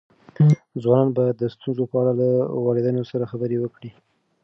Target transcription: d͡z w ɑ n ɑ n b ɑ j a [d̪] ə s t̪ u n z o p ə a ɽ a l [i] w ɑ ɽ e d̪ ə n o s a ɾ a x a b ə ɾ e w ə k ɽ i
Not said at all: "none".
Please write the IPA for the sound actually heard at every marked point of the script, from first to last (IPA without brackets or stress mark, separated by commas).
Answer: d̪ː, a